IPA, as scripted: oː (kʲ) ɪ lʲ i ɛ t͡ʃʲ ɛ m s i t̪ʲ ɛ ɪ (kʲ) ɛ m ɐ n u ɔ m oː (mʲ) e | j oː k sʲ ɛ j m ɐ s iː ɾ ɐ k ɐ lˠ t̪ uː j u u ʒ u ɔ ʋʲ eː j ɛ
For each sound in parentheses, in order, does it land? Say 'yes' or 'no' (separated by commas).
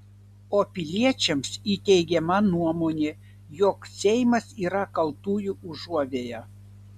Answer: no, no, no